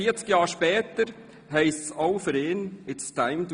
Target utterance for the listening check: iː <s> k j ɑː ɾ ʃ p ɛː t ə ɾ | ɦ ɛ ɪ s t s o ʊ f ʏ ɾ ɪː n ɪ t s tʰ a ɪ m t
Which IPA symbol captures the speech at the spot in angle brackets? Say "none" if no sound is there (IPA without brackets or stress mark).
t͡s